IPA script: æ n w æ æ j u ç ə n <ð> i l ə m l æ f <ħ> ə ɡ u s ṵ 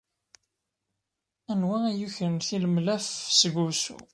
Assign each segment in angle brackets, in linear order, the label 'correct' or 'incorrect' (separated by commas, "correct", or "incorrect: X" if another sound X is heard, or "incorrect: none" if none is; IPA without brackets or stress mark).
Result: incorrect: θ, incorrect: s